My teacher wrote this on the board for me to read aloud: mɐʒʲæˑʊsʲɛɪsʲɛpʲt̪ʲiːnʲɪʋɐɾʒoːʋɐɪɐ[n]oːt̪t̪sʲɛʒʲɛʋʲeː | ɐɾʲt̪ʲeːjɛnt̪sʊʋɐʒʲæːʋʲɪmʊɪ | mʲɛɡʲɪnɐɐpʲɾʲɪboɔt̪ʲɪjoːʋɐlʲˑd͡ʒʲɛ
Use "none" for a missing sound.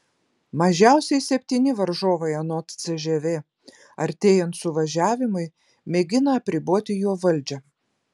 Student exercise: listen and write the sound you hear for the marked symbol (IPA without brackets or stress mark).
n